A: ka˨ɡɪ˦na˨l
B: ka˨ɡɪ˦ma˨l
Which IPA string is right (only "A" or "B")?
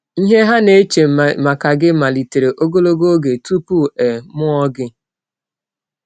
B